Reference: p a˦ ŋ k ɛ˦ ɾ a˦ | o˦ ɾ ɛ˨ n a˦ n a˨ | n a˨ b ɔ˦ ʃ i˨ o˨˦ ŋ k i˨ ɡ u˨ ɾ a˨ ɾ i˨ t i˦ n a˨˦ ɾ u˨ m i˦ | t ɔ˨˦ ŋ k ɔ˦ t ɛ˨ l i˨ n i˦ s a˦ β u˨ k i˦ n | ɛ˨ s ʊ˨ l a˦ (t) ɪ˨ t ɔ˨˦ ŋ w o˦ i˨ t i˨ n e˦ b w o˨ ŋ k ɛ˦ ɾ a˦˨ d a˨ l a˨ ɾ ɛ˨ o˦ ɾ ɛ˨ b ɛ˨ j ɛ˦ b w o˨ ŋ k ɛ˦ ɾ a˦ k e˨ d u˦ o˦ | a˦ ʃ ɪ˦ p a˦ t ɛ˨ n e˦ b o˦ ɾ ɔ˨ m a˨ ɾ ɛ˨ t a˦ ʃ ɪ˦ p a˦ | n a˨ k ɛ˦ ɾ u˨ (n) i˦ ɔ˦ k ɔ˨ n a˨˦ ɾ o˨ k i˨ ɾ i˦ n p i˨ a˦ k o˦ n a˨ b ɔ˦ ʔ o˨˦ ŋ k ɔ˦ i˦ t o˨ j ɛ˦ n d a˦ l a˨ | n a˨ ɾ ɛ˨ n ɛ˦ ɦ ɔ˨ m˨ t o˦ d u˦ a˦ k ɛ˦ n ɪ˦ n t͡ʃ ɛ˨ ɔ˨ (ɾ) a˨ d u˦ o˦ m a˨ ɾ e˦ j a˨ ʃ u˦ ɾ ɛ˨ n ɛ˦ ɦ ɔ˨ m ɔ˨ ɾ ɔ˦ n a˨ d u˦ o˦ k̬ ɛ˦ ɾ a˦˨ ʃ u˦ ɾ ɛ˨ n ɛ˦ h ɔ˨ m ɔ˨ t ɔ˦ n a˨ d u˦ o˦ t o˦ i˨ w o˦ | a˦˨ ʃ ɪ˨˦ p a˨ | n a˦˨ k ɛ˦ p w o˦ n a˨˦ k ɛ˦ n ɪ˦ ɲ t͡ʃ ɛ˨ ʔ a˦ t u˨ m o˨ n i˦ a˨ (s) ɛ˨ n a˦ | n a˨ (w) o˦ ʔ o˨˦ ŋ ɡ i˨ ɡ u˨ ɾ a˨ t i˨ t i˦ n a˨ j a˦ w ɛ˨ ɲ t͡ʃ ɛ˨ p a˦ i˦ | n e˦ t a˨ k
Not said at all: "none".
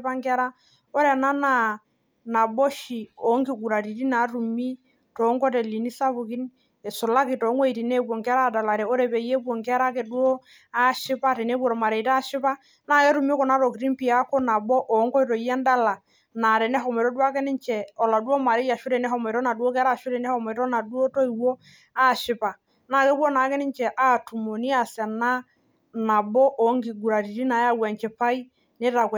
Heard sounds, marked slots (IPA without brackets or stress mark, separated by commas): k, m, l, s, b